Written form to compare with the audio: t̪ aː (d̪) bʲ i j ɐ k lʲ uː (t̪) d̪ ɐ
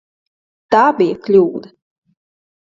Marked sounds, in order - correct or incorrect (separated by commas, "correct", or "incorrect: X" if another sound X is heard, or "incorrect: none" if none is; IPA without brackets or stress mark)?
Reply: incorrect: none, incorrect: none